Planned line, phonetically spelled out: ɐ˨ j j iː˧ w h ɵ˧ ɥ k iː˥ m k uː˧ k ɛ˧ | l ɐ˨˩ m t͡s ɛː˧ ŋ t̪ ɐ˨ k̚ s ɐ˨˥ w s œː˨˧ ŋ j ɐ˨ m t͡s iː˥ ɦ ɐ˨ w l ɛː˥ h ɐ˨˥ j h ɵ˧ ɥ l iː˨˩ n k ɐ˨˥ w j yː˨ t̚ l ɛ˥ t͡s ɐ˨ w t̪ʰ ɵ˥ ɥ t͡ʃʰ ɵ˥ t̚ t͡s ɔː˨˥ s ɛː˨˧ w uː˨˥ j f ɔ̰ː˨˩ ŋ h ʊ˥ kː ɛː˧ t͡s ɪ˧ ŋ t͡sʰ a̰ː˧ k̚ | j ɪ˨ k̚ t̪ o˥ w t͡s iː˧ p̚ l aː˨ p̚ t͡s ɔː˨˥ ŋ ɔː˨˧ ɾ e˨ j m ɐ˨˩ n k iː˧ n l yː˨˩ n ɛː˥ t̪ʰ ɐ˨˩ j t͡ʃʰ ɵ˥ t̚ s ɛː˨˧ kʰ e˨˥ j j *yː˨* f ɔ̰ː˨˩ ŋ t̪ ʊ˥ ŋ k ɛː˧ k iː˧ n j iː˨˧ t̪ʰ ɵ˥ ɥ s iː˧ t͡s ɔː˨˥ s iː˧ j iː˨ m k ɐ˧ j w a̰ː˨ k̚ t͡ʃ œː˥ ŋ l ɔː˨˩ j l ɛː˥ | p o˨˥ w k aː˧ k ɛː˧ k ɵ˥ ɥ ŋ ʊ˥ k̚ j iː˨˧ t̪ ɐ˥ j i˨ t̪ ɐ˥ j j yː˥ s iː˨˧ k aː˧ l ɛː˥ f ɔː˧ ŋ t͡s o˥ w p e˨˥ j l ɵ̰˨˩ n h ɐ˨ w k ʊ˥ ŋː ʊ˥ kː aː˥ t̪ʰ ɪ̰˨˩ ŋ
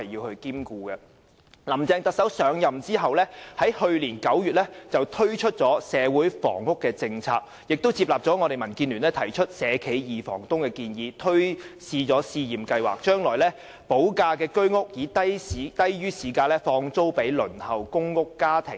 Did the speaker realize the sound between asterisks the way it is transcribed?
no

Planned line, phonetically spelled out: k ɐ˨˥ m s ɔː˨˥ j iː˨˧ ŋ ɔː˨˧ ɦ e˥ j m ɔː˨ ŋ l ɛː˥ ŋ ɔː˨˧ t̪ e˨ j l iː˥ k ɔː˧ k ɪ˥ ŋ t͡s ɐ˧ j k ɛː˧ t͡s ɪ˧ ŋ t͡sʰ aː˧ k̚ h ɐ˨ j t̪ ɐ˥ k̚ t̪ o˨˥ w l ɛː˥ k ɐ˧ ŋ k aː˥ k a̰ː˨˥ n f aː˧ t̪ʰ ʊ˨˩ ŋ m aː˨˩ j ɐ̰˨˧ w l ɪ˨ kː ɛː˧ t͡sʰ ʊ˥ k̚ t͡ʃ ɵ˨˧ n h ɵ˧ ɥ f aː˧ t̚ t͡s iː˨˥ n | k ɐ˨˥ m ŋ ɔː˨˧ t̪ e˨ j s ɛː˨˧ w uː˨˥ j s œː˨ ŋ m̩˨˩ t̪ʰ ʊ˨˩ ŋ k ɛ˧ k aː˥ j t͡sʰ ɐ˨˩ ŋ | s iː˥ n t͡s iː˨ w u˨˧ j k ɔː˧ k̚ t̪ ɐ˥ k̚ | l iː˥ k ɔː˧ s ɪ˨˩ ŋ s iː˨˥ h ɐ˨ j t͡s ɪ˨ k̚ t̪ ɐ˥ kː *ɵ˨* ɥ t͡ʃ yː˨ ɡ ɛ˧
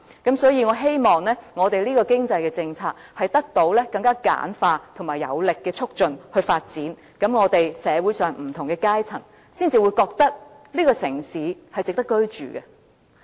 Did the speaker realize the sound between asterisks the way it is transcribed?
no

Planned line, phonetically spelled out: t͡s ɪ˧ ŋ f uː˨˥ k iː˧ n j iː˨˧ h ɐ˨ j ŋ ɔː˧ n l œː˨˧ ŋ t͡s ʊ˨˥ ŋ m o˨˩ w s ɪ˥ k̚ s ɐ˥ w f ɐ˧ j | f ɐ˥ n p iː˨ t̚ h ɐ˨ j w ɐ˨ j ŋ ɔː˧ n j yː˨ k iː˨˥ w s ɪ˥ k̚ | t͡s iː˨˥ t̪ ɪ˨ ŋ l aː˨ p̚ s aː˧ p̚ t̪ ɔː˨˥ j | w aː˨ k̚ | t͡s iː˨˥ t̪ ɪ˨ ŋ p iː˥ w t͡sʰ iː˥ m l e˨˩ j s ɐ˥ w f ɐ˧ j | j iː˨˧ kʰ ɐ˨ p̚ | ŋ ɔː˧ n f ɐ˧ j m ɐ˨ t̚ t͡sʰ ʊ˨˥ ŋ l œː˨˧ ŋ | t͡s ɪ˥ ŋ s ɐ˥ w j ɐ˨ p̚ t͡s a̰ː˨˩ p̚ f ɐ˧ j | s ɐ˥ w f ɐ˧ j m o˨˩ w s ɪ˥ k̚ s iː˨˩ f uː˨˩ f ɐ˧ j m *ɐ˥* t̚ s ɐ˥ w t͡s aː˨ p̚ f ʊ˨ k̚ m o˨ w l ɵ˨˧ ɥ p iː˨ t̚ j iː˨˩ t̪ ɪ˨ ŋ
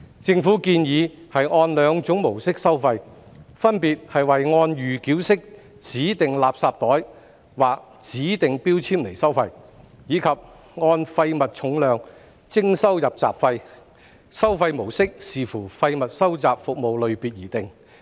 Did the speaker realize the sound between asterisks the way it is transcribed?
no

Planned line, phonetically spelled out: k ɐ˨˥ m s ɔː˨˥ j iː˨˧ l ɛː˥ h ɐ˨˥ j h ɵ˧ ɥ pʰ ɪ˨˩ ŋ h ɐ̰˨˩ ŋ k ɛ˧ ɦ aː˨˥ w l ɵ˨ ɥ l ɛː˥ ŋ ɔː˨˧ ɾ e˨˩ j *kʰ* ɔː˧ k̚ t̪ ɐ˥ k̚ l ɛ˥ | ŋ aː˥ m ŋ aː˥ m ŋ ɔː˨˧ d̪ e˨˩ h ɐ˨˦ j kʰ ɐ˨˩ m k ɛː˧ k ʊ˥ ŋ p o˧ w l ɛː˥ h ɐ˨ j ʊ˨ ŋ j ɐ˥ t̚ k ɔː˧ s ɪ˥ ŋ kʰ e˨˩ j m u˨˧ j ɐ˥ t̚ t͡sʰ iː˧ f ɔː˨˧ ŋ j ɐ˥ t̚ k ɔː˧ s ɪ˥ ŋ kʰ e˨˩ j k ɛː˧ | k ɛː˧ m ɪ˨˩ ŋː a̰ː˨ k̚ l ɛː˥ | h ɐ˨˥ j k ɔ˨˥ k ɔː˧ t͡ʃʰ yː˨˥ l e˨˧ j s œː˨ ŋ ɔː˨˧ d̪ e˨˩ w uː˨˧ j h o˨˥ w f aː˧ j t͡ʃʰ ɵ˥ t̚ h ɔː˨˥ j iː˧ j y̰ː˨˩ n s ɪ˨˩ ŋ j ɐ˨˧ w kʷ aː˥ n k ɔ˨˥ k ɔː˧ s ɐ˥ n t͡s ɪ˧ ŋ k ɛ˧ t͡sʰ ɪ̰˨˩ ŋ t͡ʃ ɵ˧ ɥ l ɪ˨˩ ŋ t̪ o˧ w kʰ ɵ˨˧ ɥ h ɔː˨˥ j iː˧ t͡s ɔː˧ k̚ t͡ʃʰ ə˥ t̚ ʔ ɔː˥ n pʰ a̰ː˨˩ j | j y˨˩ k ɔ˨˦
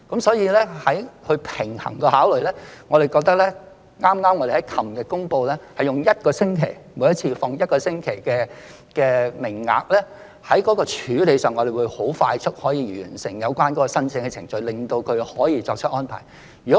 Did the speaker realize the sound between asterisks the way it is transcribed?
no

